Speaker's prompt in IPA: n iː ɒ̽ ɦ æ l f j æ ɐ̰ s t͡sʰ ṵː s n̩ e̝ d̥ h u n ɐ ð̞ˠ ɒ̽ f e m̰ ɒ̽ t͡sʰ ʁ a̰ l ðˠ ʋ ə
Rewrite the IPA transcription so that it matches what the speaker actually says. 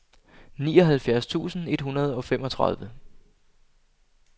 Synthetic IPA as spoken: n iː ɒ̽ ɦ æ l f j æ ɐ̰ s t͡sʰ ṵː s n̩ e̝ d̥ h u n ɐ ð̞ˠ ɒ̽ f e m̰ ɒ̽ t͡sʰ ʁ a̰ ðˠ ʋ ə